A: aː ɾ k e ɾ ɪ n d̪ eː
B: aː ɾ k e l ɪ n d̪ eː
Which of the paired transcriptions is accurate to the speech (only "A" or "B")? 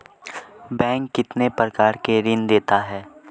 A